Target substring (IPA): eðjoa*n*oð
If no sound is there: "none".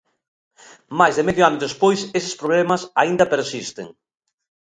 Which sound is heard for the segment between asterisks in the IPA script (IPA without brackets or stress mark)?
n